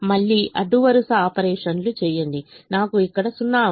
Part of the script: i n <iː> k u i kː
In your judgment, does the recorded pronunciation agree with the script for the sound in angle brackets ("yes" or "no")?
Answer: no